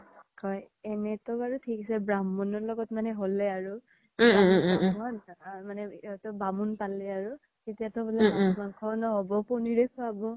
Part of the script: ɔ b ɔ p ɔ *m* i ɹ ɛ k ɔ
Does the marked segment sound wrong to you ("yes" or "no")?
yes